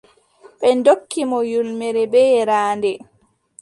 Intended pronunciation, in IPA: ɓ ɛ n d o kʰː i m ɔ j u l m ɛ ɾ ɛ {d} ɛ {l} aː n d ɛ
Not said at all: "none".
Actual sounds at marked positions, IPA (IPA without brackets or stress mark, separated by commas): b, ɾ